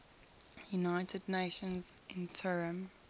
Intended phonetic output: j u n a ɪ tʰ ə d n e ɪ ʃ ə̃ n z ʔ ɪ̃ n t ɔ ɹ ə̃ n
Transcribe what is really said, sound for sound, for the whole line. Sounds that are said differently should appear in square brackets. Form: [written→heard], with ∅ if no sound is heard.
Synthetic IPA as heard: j u n a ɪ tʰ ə d n e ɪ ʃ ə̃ n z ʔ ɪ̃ n [t→tʰ] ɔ ɹ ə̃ [n→m]